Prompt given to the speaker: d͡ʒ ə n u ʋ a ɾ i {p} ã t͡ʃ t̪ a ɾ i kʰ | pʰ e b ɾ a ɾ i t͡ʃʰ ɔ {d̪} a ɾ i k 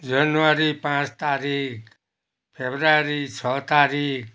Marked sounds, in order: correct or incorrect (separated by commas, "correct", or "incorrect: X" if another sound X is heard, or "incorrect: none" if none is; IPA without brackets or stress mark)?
correct, incorrect: t̪